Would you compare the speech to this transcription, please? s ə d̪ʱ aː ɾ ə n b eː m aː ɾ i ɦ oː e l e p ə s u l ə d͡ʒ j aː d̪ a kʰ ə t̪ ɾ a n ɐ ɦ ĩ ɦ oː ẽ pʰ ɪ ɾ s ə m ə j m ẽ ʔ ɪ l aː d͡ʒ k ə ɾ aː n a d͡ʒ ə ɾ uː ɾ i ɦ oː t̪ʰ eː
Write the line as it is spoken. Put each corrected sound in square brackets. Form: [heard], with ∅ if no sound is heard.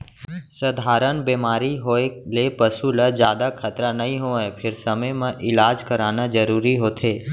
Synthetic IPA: s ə d̪ʱ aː ɾ ə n b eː m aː ɾ i ɦ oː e l e p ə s u l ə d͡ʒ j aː d̪ a kʰ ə t̪ ɾ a n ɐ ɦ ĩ ɦ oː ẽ pʰ ɪ ɾ s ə m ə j m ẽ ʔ ɪ l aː d͡ʒ k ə ɾ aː n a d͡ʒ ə ɾ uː ɾ i ɦ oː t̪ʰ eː